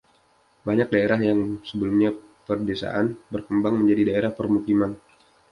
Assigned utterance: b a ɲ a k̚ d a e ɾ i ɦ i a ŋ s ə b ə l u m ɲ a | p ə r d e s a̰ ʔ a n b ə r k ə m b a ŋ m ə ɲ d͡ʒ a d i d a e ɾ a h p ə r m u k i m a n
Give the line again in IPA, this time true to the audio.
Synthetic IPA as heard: b a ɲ a k̚ d a e ɾ a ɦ j a ŋ s ə b ə l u m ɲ a | p ə r d e s a̰ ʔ a n b ə r k ə m b a ŋ m ə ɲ d͡ʒ a d i d a e ɾ a h p ə r m u k i m a n